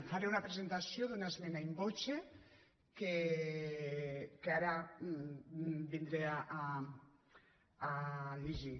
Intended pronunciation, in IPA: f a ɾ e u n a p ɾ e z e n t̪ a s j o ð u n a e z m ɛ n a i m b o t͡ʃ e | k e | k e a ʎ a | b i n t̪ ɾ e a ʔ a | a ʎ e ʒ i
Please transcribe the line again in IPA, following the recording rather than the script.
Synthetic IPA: f a ɾ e u n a p ɾ e z e n t̪ a s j o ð u n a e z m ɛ n a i m b o t͡ʃ e | k e | k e a ɾ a | b i n d̪ ɾ e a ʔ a | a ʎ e ʒ i